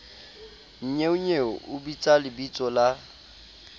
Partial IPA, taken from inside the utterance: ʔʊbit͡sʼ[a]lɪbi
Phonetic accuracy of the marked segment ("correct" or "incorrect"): correct